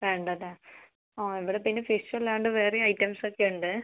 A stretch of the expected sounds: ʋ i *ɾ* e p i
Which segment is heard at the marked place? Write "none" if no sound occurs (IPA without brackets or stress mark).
ɽ